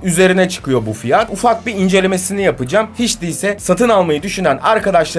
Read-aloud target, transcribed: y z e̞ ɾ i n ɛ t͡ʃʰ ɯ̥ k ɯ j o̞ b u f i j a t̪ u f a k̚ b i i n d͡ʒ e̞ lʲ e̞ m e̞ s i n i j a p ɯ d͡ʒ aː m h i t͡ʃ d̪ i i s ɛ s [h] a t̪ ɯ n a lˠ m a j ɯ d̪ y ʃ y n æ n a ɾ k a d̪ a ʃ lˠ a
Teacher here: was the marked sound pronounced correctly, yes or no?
no